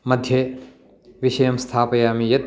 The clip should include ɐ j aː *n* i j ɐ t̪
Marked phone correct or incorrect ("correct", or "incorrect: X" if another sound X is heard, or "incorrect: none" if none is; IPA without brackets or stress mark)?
incorrect: m